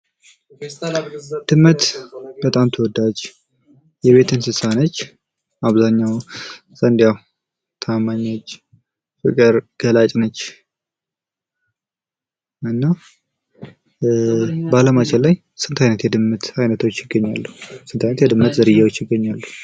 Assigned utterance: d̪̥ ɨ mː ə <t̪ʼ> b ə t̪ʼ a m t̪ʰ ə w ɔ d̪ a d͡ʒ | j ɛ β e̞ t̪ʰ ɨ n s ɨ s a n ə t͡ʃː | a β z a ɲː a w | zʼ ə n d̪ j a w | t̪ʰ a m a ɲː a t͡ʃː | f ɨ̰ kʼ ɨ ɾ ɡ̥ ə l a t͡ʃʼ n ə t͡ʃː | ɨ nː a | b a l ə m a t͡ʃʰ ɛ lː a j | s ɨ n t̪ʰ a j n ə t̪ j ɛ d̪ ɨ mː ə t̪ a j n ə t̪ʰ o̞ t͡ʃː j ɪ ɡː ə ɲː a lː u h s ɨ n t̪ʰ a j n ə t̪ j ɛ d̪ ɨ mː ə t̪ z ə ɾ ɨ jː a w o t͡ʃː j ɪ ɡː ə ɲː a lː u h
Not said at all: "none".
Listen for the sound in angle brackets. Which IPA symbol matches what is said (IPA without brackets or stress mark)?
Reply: t̪